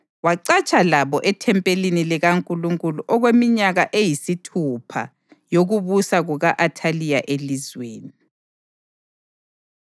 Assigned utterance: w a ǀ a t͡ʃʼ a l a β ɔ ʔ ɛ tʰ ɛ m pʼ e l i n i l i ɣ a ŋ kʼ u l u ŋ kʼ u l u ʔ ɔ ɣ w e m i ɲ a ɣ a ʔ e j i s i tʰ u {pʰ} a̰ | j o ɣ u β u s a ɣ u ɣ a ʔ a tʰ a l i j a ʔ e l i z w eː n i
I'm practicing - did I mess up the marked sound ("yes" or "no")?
no